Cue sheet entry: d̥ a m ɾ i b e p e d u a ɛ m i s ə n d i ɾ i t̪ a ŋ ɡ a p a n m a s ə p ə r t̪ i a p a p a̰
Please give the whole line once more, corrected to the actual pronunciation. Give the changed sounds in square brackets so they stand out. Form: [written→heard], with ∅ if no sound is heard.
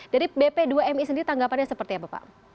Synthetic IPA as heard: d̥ a [m→∅] ɾ i b e p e d u a ɛ m i s ə n d i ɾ i t̪ a ŋ ɡ a p a n [m→ɲ] a s ə p ə r t̪ i a p a p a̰